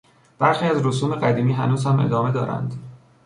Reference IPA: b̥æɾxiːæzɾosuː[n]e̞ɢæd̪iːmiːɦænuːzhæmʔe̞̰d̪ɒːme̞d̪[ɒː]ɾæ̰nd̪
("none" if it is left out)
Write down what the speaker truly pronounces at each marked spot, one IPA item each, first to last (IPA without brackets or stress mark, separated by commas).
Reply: m, ɒː